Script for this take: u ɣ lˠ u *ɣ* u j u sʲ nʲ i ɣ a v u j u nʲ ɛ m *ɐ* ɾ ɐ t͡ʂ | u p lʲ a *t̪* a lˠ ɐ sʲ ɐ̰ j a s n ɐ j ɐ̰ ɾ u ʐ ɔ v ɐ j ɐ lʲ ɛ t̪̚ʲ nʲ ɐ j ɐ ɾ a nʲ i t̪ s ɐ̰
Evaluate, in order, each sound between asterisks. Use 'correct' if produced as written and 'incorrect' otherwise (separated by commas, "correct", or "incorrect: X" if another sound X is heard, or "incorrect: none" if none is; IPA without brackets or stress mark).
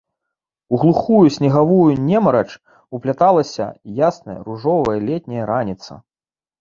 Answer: incorrect: x, correct, correct